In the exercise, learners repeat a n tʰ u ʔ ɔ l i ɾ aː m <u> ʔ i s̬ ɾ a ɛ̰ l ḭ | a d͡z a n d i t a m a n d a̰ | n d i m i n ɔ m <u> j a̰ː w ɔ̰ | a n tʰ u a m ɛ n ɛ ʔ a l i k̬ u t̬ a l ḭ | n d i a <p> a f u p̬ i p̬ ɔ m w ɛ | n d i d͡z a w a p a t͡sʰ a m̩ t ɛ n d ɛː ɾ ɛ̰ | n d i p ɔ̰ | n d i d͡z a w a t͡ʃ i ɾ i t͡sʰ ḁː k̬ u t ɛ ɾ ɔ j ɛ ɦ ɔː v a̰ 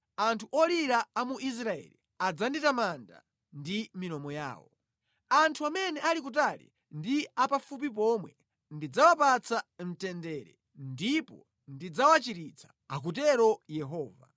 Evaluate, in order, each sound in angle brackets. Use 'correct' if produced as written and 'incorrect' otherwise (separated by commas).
correct, incorrect, correct